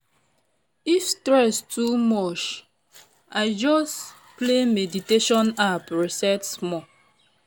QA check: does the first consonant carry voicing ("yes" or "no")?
no